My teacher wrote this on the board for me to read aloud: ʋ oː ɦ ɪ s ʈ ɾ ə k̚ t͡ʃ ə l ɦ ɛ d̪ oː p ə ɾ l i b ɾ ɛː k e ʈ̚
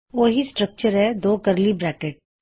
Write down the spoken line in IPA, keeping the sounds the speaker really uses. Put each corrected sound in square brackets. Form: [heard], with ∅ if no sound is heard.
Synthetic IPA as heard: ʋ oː ɦ [i] s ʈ ɾ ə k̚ t͡ʃ ə [ɾ] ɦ ɛ d̪ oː [k] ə ɾ l i b ɾ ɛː k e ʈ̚

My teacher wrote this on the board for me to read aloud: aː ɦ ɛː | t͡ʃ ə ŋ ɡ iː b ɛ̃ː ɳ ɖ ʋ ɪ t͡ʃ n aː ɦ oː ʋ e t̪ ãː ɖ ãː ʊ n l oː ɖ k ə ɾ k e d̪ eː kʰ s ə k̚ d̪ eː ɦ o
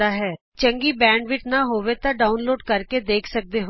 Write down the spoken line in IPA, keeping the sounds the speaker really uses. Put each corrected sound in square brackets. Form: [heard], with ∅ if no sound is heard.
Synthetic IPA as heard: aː ɦ ɛː | t͡ʃ ə ŋ ɡ iː b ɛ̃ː ɳ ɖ ʋ ɪ t͡ʃ n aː ɦ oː ʋ e t̪ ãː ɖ [aː] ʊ n l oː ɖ k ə ɾ k e d̪ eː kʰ s ə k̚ d̪ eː ɦ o

